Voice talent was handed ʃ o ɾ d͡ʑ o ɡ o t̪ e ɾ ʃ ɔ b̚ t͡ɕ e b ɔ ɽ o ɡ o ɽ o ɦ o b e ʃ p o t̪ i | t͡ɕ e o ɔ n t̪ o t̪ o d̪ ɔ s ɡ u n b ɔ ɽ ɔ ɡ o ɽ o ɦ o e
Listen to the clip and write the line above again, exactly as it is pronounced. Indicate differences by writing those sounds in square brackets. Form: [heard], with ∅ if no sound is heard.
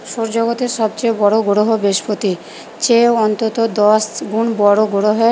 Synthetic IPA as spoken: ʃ o ɾ d͡ʑ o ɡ o t̪ e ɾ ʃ ɔ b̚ t͡ɕ e b ɔ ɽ o ɡ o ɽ o ɦ o b e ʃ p o t̪ i | t͡ɕ e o ɔ n t̪ o t̪ o d̪ ɔ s ɡ u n b ɔ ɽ [o] ɡ o ɽ o ɦ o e